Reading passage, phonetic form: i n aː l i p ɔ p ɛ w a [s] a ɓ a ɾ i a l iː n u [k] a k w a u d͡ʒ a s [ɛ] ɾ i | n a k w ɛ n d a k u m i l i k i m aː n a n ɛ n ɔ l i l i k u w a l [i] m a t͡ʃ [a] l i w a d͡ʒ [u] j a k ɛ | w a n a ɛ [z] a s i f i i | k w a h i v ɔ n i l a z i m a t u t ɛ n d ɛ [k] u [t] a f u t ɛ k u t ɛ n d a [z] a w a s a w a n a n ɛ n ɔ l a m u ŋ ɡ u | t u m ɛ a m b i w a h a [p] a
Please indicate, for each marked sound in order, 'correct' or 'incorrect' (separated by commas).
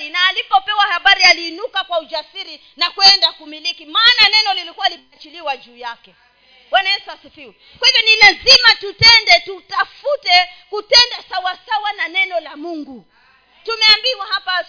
incorrect, correct, incorrect, correct, incorrect, incorrect, incorrect, incorrect, correct, incorrect, correct